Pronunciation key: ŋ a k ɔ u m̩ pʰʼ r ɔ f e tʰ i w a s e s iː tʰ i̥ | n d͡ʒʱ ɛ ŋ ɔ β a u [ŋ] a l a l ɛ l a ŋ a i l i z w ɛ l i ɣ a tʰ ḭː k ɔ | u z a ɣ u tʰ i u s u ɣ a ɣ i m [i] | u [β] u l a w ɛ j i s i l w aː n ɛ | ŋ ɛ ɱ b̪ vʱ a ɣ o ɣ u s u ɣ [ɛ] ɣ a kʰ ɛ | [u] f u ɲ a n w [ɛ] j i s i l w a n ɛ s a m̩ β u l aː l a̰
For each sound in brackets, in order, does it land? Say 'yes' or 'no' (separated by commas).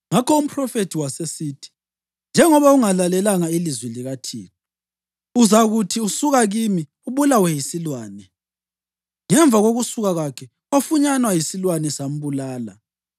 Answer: yes, yes, yes, no, no, no